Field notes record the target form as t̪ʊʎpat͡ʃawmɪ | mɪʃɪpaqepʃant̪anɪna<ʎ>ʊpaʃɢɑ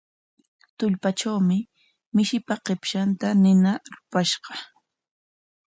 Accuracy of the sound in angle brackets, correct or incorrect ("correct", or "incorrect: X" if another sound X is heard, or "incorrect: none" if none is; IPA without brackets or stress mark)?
incorrect: ɾ